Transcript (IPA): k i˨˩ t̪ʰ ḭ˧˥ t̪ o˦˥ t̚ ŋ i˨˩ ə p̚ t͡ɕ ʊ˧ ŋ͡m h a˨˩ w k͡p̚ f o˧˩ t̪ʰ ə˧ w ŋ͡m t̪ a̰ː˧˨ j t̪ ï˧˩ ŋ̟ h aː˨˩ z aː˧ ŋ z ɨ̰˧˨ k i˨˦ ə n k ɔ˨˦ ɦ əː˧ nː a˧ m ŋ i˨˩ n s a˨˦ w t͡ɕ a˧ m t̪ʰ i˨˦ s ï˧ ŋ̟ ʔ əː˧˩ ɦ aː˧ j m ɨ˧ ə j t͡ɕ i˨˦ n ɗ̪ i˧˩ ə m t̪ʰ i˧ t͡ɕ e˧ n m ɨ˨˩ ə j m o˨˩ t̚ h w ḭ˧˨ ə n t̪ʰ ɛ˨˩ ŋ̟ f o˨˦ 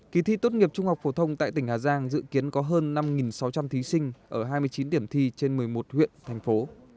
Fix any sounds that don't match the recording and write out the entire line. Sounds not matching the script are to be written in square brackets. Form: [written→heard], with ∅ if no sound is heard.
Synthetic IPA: k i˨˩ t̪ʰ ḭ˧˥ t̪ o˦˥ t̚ ŋ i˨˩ ə p̚ t͡ɕ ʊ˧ ŋ͡m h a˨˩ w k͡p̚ f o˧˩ t̪ʰ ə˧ w ŋ͡m t̪ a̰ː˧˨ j t̪ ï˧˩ ŋ̟ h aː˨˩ z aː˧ ŋ z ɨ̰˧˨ k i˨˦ ə n k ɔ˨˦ ɦ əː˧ nː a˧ m ŋ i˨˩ n s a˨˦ w t͡ɕ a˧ m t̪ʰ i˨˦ s ï˧ ŋ̟ ʔ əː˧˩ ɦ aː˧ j m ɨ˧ ə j t͡ɕ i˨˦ n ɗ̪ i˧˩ ə m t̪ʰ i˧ t͡ɕ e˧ n m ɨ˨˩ ə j m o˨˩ t̚ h w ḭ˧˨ ə n t̪ʰ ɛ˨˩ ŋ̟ f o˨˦